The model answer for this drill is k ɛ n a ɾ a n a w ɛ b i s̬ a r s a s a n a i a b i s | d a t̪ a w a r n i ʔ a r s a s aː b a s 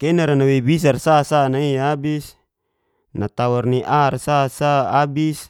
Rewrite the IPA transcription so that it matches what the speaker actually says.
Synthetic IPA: k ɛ n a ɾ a n a w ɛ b i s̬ a r s a s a n a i a b i s | n a t̪ a w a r n i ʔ a r s a s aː b i s

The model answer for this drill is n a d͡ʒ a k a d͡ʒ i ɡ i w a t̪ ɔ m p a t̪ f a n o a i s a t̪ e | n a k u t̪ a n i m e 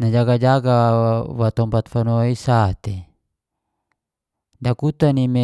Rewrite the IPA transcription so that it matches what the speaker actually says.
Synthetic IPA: n a d͡ʒ a ɡ a d͡ʒ a ɡ a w a t̪ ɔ m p a t̪ f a n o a i s a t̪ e | d a k u t̪ a n i m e

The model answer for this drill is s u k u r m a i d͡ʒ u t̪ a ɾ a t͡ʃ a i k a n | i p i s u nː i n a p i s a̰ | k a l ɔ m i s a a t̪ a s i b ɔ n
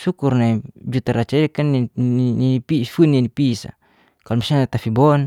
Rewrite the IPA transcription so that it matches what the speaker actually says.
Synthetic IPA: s u k u r n a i d͡ʒ u t̪ a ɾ a t͡ʃ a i k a n | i p i f u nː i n i p i s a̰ | k a l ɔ m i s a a t̪ a f i b ɔ n

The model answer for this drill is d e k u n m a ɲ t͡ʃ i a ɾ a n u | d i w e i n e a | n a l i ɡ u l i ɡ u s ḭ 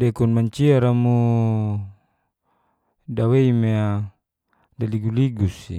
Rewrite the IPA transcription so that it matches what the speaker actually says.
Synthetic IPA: d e k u n m a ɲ t͡ʃ i a ɾ a m u | d a w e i m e a | d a l i ɡ u l i ɡ u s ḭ

